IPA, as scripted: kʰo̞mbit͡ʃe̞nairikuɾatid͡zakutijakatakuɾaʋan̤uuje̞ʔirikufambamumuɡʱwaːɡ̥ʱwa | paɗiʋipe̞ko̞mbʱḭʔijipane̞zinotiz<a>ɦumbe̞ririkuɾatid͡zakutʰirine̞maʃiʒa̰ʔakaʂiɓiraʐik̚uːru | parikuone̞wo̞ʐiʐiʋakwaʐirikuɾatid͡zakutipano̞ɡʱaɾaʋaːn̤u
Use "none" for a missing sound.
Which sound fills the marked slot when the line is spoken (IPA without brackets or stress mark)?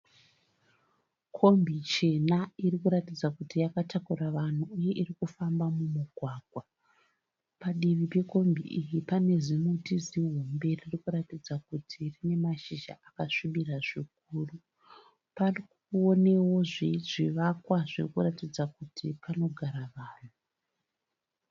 i